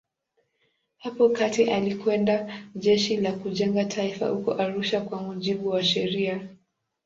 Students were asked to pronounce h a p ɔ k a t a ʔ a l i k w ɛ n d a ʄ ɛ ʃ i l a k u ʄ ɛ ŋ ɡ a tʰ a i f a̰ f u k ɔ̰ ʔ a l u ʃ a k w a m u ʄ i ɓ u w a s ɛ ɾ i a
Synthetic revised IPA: h a p ɔ k a t i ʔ a l i k w ɛ n d a ʄ ɛ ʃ i l a k u ʄ ɛ ŋ ɡ a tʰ a i f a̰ h u k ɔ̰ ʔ a ɾ u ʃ a k w a m u ʄ i ɓ u w a ʃ ɛ ɾ i a